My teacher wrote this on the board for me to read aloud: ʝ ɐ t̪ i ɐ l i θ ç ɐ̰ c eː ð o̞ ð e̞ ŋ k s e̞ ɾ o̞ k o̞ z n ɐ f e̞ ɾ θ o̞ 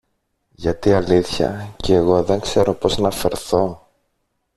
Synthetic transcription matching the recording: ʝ ɐ t̪ i ɐ l i θ ç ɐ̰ c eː ɣ o̞ ð e̞ ŋ k s e̞ ɾ o̞ p o̞ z n ɐ f e̞ ɾ θ o̞